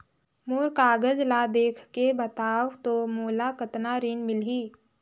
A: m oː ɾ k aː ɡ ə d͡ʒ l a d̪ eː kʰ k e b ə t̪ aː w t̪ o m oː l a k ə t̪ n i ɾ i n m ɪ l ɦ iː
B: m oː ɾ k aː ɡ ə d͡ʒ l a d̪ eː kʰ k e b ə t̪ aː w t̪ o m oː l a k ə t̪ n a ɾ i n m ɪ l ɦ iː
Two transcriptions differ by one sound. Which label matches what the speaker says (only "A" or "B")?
B